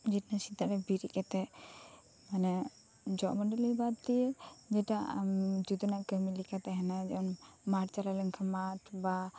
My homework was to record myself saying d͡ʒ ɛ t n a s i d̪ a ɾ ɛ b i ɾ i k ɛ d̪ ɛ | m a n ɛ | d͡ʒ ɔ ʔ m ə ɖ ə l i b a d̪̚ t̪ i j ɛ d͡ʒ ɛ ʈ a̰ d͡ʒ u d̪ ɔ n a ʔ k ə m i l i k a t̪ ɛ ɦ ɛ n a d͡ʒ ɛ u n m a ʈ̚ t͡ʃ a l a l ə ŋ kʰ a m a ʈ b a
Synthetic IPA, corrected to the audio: d͡ʒ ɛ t n a s i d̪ a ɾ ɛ b i ɾ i k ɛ t̪ ɛ | m a n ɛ | d͡ʒ ɔ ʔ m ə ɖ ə l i b a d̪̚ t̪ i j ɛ d͡ʒ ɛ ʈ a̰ d͡ʒ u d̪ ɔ n a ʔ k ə m i l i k a t̪ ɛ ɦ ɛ n a d͡ʒ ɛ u n m a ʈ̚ t͡ʃ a l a l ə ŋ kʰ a m a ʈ b a